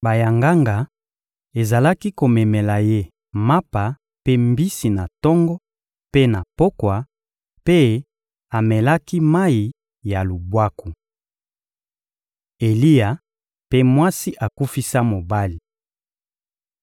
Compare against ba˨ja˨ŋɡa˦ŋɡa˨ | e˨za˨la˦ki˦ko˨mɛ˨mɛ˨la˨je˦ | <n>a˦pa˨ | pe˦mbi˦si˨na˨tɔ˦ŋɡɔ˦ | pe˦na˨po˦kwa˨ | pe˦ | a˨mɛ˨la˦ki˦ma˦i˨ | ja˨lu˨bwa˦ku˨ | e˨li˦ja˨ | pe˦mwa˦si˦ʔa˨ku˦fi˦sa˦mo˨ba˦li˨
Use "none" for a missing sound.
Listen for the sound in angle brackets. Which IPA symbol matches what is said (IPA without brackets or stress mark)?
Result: m